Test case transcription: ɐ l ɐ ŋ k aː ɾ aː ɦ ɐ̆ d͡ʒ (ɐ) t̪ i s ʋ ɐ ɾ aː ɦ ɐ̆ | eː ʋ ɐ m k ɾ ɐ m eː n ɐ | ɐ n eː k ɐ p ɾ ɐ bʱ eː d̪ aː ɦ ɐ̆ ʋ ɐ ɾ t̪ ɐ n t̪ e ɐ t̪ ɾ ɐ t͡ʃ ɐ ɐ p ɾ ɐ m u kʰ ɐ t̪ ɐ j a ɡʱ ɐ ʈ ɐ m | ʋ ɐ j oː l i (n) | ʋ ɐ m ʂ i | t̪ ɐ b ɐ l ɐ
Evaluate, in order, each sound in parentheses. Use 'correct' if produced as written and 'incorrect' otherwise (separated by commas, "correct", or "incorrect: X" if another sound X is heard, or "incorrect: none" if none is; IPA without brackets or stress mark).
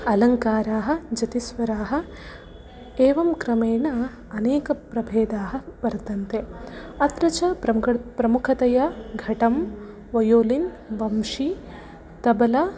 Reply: correct, correct